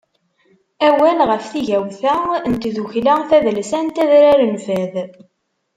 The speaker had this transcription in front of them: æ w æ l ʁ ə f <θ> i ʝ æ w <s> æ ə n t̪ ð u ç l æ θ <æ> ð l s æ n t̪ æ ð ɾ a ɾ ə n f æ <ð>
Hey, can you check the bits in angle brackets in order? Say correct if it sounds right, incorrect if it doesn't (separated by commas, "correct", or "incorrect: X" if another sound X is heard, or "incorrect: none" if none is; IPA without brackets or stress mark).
correct, incorrect: θ, correct, correct